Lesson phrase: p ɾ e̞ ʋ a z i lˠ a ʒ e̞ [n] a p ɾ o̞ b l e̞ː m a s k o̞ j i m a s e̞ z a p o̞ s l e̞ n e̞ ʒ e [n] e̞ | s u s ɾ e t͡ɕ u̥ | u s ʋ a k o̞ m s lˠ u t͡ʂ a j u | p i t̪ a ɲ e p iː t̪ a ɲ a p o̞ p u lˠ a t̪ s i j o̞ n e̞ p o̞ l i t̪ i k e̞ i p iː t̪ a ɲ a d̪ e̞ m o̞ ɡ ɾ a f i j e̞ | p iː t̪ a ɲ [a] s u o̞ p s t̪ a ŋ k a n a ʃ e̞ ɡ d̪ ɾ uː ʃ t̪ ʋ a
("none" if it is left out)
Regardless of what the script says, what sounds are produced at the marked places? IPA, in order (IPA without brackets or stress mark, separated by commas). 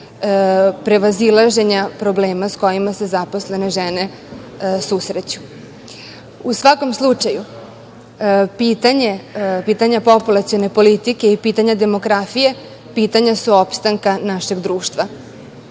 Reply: ɲ, n, a